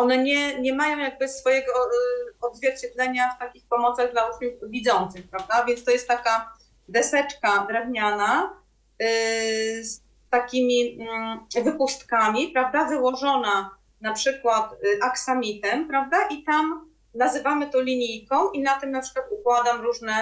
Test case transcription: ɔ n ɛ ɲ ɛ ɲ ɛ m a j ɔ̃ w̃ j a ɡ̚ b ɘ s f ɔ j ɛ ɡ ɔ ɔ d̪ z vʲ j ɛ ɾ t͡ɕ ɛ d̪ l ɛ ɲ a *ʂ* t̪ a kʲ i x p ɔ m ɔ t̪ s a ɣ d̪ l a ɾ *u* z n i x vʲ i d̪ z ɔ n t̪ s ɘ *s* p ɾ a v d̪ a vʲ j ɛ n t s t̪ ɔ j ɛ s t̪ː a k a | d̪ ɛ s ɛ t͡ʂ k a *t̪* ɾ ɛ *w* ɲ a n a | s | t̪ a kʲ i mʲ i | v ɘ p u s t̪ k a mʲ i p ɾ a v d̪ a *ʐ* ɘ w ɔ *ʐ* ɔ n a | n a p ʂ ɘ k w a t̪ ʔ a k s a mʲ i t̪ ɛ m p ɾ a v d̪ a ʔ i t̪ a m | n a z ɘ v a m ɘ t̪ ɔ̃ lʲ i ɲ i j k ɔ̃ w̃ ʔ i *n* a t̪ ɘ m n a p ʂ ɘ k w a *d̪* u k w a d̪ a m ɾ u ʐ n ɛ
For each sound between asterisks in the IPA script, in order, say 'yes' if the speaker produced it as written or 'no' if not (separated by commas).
no, yes, no, no, no, no, yes, yes, no